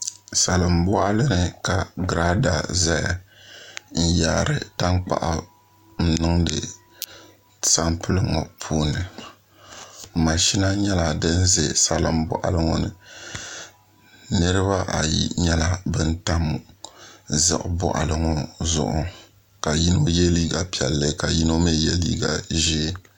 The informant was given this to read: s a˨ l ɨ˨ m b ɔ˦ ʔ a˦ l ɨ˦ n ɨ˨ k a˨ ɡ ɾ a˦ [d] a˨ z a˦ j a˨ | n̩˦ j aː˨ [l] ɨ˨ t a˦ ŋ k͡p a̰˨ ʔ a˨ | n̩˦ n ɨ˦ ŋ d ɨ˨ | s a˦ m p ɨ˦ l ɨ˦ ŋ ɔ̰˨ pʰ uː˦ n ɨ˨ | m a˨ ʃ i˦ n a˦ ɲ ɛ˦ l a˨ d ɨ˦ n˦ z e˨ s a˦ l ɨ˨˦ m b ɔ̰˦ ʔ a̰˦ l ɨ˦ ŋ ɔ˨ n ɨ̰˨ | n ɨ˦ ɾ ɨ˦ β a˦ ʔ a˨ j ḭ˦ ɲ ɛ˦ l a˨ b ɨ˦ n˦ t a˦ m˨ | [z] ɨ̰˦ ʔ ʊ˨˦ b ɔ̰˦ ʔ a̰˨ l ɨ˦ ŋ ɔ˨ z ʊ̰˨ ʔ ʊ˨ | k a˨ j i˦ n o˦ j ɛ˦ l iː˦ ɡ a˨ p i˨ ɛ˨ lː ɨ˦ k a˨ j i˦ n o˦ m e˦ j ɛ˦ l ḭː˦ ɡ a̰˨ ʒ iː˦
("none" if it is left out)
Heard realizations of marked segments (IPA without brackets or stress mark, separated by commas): d, ɾ, z